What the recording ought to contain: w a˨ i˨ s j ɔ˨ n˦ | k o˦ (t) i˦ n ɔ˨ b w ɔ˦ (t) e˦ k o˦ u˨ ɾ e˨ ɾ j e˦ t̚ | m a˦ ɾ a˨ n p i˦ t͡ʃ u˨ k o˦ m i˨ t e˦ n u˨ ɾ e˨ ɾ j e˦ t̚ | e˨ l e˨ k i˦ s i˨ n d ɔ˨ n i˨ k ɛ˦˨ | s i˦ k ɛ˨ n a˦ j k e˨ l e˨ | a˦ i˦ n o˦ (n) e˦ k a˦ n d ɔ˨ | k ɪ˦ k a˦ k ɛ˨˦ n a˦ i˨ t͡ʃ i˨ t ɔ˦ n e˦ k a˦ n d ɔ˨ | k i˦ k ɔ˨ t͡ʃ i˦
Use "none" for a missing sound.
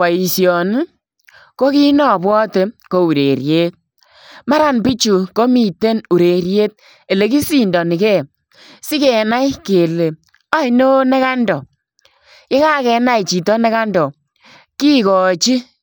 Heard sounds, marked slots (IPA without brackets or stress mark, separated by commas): k, t, n